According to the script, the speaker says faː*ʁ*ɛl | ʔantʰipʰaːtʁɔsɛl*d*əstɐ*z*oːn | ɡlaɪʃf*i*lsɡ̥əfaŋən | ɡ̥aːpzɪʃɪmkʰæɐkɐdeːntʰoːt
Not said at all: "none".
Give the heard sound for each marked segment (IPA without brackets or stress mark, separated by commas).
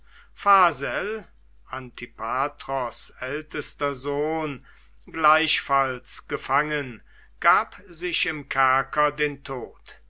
z, t, z, a